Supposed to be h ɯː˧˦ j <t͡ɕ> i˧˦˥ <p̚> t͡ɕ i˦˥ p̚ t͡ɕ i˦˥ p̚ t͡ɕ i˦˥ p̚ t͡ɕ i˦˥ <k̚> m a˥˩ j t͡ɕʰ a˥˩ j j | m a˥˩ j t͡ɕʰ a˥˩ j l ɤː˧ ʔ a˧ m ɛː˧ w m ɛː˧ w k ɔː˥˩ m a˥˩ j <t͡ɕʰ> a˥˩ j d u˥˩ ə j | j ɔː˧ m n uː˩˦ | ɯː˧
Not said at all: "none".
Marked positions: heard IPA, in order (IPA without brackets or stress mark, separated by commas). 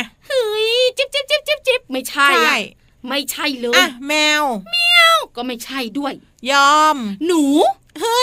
t͡ɕ, p̚, p̚, t͡ɕʰ